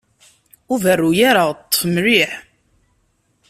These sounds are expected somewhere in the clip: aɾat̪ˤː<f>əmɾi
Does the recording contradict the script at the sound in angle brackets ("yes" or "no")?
no